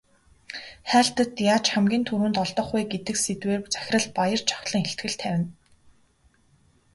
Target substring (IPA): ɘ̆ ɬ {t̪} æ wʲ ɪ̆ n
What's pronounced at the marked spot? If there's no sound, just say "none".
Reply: t̪ʰ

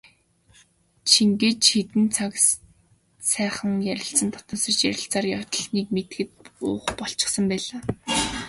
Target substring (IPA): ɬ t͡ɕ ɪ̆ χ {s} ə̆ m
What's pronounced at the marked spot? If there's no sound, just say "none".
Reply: s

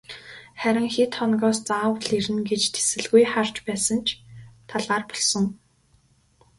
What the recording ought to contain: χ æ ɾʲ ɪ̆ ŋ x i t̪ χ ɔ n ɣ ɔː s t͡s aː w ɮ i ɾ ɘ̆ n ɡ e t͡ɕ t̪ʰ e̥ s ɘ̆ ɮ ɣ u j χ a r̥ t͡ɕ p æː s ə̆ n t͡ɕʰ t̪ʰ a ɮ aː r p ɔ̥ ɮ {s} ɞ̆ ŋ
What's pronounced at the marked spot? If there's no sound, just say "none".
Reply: s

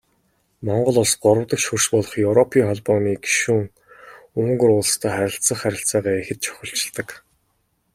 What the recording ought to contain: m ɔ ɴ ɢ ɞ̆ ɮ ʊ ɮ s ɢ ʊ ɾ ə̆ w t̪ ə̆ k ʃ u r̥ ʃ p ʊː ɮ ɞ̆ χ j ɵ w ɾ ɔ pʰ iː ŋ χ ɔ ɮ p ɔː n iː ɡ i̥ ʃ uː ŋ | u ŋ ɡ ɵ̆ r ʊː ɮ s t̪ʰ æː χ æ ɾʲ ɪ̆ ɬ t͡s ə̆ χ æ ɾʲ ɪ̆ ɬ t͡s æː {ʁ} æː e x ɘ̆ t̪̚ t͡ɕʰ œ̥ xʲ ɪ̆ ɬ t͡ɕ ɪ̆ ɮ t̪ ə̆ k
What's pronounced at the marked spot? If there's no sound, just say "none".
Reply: ʁ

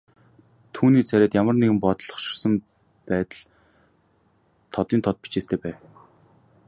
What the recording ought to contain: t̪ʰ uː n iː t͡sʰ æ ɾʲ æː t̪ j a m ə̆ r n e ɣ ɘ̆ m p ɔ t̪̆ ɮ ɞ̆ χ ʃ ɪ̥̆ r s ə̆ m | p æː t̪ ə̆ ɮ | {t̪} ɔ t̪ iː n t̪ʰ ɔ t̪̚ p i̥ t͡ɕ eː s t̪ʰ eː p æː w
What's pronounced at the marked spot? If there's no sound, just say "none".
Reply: t̪ʰ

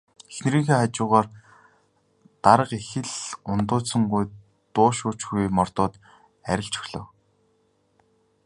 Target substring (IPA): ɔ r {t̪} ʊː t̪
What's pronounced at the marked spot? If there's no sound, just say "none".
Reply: t̪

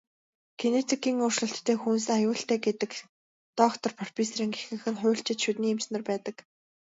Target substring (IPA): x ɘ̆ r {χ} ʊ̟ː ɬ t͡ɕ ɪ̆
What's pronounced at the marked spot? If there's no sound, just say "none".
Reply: χ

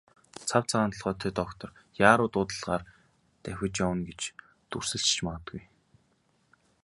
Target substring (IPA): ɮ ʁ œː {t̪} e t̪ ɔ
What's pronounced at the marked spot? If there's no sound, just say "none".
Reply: t̪ʰ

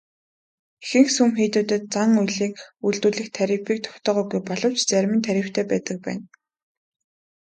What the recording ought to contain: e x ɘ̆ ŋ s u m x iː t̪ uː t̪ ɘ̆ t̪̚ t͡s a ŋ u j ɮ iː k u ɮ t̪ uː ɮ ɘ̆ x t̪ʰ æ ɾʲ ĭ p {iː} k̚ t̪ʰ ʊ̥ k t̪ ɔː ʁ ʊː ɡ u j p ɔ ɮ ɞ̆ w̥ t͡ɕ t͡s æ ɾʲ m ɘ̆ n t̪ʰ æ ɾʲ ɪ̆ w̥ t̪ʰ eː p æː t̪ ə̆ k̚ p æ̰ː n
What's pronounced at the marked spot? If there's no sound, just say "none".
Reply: iː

